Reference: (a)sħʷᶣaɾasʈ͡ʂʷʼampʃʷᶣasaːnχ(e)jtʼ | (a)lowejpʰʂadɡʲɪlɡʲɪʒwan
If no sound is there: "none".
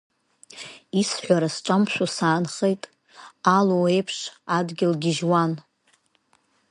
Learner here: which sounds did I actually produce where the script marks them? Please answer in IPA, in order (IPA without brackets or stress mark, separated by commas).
i, e, a